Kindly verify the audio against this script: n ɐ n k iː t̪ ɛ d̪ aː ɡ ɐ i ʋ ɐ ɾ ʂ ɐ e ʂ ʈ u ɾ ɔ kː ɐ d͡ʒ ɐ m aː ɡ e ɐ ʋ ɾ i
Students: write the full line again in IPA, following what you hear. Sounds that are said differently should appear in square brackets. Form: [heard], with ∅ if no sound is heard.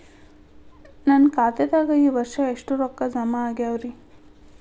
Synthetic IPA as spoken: n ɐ n k [aː] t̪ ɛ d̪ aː ɡ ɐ [iː] ʋ ɐ ɾ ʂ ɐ e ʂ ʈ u ɾ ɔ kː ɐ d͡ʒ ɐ m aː ɡ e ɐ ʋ ɾ i